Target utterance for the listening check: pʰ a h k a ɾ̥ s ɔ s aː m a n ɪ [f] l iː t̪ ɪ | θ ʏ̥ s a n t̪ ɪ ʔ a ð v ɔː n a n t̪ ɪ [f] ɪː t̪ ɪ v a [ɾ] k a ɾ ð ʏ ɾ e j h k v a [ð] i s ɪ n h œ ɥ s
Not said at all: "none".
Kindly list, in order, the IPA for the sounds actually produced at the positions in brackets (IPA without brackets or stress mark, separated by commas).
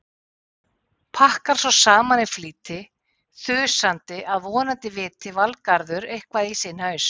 f, v, l, ð